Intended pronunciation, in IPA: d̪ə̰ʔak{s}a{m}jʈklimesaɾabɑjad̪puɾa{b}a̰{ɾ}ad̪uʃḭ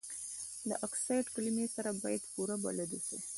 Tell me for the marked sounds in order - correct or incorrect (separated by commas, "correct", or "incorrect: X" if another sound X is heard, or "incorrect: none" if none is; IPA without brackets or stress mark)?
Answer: correct, incorrect: none, correct, incorrect: l